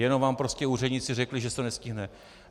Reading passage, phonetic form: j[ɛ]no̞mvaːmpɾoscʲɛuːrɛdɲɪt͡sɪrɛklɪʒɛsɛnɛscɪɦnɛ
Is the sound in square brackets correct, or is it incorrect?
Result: correct